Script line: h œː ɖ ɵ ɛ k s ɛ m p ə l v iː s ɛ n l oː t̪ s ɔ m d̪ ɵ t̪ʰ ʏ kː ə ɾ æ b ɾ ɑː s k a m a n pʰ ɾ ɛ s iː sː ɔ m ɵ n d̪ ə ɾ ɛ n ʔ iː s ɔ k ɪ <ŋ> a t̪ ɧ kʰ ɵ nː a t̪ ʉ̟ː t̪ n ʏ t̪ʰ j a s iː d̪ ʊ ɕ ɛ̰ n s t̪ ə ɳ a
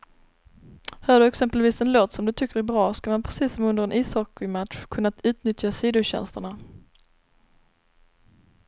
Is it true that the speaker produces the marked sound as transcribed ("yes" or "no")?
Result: no